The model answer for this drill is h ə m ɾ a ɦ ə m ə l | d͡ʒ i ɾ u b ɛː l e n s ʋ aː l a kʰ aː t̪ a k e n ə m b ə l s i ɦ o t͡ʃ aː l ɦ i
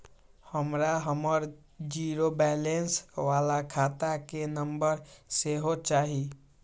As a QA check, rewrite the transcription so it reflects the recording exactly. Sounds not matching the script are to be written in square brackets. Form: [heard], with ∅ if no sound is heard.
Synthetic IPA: h ə m ɾ a ɦ ə m ə [ɾ] | d͡ʒ i ɾ [o] b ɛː l e n s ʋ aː l a kʰ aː t̪ a k e n ə m b ə [ɾ] s [e] ɦ o t͡ʃ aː [∅] ɦ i